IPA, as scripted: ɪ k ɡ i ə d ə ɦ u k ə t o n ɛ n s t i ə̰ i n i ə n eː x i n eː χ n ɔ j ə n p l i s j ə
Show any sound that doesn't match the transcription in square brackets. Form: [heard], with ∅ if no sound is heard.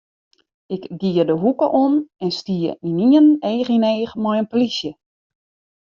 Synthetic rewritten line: ɪ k ɡ i ə d ə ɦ u k ə [ʔ] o n ɛ n s t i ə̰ i n i ə n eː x i n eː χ [m] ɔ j ə n p l i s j ə